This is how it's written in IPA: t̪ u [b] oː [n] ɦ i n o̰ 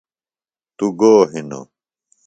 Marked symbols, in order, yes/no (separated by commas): no, no